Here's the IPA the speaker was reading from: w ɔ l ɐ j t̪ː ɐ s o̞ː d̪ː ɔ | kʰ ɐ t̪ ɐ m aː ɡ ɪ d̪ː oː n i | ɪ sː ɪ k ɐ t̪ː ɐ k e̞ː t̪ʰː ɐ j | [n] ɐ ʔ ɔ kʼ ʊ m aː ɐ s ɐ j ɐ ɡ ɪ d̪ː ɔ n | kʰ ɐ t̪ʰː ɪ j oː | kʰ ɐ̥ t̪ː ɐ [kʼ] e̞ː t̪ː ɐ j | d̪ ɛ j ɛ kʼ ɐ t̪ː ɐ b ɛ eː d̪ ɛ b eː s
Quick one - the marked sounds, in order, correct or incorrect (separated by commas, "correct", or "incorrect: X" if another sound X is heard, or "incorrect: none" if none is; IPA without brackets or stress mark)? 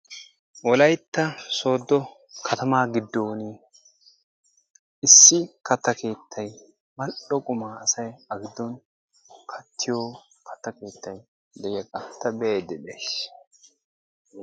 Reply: incorrect: m, incorrect: k